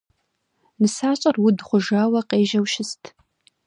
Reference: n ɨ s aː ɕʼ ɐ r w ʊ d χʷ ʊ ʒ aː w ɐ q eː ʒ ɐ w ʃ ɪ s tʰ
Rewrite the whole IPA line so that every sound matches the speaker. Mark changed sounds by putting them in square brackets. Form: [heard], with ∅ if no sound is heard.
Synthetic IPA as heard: n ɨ s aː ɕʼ ɐ r w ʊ d χʷ ʊ ʒ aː w ɐ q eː ʒ ɐ w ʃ ɪ s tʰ